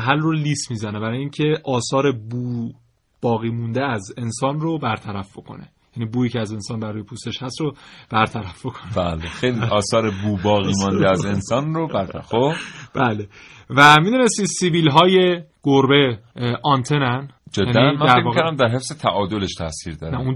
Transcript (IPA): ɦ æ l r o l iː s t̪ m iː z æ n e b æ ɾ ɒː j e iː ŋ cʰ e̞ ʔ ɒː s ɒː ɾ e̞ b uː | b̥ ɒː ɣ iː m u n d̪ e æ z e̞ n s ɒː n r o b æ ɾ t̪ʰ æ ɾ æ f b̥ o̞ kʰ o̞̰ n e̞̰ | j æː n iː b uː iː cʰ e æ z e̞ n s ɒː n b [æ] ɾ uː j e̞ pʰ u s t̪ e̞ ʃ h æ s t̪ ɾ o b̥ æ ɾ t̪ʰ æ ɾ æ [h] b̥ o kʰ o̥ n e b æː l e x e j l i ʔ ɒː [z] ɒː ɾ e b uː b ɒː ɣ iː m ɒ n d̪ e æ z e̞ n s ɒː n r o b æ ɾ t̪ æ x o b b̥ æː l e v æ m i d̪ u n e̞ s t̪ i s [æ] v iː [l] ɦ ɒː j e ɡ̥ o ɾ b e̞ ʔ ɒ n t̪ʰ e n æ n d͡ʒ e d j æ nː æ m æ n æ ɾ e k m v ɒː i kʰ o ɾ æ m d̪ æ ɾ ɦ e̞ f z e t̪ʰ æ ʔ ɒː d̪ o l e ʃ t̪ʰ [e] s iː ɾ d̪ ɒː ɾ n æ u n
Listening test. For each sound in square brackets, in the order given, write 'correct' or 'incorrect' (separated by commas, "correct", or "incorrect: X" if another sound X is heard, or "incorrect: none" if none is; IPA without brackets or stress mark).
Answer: correct, incorrect: f, incorrect: s, incorrect: i, correct, incorrect: æ